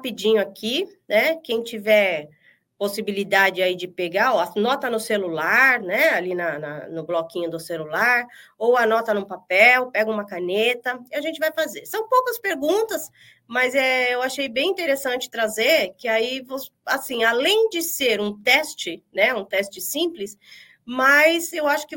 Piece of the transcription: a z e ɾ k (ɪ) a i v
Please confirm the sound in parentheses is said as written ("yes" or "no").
yes